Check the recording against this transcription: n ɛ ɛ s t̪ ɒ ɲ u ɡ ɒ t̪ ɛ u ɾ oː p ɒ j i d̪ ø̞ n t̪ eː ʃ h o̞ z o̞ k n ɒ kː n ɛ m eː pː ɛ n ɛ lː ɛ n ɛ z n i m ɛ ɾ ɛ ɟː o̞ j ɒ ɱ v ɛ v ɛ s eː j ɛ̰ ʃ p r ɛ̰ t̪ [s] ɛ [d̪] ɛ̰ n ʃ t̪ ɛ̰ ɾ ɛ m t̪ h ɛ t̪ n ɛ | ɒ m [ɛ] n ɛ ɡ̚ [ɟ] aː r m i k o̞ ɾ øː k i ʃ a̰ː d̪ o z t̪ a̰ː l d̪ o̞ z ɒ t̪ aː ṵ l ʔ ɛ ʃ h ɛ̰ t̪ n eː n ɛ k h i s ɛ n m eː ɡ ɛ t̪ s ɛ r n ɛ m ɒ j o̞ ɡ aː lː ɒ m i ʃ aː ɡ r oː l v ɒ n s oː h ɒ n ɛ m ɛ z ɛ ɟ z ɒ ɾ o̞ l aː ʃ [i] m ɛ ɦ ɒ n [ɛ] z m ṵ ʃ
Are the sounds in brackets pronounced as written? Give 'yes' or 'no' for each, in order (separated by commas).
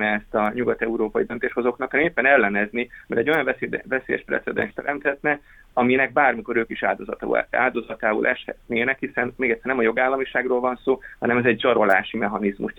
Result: yes, yes, no, no, yes, no